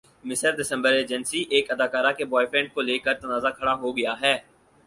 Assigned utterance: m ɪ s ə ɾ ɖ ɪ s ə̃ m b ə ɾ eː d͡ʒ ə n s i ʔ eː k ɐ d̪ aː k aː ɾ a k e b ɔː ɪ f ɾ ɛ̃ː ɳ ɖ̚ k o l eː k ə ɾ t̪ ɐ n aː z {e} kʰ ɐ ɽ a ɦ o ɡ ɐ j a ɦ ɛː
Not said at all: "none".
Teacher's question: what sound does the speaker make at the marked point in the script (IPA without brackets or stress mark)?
a